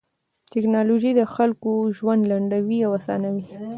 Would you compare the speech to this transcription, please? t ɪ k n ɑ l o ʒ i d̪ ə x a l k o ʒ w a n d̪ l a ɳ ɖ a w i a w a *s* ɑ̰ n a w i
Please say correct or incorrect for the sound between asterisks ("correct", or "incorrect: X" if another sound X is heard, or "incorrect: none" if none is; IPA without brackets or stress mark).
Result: correct